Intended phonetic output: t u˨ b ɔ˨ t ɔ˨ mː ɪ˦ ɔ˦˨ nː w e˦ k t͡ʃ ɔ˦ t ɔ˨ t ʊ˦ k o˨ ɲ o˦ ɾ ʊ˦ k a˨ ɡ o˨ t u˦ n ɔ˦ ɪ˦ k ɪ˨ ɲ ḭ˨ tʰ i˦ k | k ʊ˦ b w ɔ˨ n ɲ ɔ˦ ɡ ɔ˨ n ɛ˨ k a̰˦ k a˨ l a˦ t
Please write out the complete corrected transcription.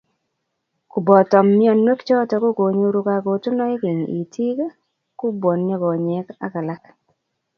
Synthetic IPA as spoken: k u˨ b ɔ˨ t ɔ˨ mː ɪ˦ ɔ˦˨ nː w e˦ k t͡ʃ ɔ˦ t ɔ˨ k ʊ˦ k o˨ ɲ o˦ ɾ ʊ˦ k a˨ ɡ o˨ t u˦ n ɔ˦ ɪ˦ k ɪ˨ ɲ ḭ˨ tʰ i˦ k | k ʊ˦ b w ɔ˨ n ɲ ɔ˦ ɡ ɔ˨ ɲ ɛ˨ k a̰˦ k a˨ l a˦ k